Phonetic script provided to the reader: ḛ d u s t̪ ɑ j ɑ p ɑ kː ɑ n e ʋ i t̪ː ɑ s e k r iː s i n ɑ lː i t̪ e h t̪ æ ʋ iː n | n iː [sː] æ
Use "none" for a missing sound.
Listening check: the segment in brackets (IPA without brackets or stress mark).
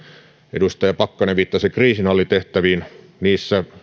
sː